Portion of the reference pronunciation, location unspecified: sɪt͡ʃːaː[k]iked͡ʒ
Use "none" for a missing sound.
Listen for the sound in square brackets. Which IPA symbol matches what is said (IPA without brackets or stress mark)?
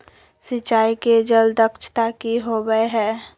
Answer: none